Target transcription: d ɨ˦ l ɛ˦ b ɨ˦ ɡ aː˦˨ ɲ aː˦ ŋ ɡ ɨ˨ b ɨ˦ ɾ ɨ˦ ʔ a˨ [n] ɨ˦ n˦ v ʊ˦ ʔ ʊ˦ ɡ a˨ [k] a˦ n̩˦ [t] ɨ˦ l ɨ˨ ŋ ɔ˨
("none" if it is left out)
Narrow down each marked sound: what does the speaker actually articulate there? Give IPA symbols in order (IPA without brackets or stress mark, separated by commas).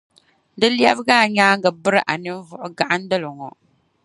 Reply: n, ʔ, d